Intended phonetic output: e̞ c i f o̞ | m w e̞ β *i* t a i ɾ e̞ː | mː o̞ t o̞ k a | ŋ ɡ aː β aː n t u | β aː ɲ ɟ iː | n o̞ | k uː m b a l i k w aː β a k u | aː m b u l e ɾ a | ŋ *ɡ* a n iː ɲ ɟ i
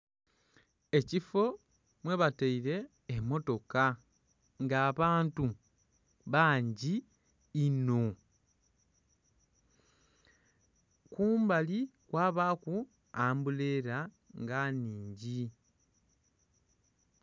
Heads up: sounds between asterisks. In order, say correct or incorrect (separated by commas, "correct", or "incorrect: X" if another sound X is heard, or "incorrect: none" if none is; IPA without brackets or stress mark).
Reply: incorrect: a, correct